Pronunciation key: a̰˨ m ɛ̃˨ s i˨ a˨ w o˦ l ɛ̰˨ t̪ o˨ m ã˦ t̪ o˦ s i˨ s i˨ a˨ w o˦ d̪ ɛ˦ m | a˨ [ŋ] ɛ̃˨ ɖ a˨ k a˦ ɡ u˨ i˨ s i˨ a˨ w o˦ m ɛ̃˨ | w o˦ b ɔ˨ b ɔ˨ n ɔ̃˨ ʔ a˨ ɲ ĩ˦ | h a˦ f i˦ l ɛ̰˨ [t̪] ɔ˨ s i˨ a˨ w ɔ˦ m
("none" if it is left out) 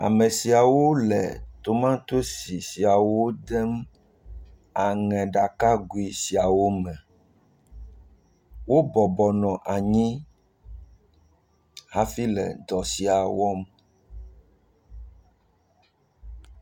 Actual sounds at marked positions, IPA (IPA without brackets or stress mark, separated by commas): ŋ, d̪